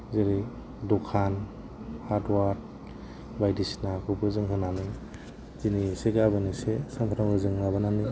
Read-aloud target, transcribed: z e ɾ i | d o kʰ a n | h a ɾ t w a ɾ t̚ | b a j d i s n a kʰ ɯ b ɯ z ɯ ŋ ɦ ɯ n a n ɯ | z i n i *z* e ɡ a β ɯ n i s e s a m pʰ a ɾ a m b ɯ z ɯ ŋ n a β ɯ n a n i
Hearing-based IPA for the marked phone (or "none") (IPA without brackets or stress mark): s